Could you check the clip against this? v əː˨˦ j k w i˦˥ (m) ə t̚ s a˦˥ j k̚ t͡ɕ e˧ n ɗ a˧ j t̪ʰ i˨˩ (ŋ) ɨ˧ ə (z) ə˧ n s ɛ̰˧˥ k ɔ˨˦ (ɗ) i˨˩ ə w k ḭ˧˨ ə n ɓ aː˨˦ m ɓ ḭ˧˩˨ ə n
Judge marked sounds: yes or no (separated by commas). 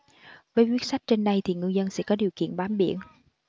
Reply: no, yes, yes, yes